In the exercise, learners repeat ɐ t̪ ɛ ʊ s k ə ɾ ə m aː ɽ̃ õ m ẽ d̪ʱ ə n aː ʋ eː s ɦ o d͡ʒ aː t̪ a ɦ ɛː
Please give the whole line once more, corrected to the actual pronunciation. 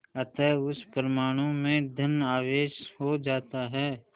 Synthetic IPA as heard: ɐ t̪ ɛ ʊ s p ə ɾ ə m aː ɽ̃ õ m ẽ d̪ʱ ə n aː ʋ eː ʃ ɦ o d͡ʒ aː t̪ a ɦ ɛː